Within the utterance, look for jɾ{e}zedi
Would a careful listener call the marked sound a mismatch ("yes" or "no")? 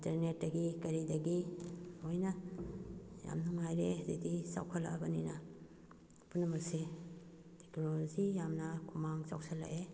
no